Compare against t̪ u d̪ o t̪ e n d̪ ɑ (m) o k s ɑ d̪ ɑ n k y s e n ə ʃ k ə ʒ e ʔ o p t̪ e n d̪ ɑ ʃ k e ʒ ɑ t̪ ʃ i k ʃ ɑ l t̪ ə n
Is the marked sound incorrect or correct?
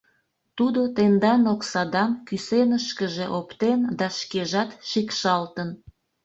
incorrect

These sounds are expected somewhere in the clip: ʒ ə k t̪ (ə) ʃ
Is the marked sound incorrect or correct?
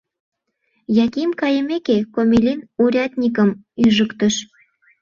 correct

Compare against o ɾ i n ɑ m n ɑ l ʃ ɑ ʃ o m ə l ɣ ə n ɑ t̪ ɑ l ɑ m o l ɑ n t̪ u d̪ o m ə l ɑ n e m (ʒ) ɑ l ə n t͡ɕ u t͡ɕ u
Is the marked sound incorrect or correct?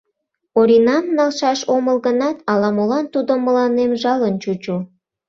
correct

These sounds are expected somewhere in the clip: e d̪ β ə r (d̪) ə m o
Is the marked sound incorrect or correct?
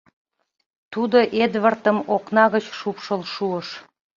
incorrect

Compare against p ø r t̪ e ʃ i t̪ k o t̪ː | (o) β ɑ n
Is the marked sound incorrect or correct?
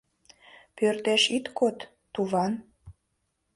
incorrect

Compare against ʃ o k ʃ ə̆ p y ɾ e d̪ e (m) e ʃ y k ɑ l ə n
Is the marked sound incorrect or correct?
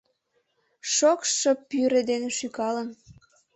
incorrect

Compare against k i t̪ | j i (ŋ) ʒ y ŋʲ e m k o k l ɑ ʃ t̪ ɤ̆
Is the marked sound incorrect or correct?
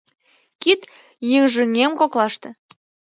correct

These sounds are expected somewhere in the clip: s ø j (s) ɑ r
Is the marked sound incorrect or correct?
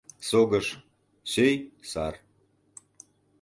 correct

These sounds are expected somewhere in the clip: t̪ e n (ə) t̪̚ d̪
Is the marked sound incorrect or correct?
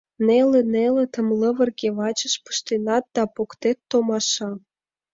incorrect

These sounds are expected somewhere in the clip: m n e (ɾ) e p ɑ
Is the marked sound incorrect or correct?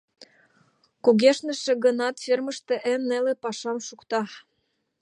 incorrect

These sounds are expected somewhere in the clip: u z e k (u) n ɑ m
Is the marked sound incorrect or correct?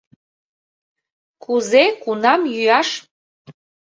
correct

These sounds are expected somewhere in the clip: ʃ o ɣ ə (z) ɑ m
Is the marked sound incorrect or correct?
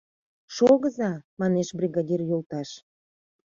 correct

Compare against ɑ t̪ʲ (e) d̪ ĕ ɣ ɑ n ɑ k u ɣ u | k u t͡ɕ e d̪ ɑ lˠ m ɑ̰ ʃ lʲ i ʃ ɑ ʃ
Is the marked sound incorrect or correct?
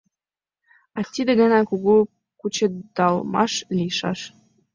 incorrect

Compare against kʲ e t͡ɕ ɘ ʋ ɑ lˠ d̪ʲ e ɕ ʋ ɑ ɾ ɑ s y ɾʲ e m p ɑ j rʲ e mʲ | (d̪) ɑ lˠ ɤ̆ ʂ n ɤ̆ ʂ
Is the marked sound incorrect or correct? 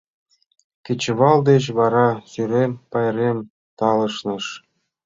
incorrect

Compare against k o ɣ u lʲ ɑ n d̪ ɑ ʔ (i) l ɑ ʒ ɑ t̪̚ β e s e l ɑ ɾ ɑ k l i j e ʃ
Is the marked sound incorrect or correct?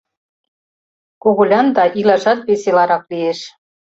correct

